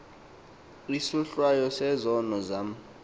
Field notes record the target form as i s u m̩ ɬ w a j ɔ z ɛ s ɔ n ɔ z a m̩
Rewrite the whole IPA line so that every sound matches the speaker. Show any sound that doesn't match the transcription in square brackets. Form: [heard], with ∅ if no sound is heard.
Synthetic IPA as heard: i s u [∅] ɬ w a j ɔ [s] ɛ [z] ɔ n ɔ z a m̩